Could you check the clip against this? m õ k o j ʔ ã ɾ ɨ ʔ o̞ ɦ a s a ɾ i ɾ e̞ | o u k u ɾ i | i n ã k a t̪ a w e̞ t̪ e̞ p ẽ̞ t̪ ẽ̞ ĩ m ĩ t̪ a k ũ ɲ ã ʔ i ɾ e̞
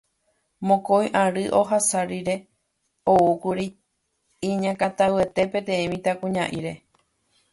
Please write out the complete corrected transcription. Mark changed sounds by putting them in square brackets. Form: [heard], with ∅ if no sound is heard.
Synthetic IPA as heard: m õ k o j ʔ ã ɾ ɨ ʔ o̞ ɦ a s a ɾ i ɾ e̞ | o u k u ɾ i | i [ɲ] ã k a t̪ a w e̞ t̪ e̞ p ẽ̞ t̪ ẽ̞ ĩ m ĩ t̪ a k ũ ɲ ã ʔ i ɾ e̞